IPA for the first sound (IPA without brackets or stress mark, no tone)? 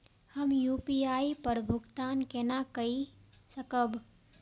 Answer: h